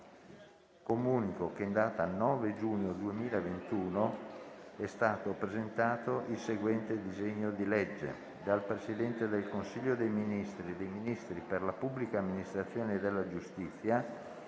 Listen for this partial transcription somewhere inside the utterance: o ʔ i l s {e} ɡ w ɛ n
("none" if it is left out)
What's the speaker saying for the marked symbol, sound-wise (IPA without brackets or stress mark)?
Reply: e